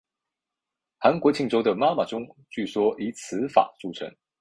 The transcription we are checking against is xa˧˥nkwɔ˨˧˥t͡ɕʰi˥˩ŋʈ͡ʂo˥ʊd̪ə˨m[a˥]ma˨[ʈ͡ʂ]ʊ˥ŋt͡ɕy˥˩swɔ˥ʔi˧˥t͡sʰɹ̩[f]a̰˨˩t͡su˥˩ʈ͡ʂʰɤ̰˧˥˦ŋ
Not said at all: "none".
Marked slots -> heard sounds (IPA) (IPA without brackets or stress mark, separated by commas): a˥, ʈ͡ʂ, f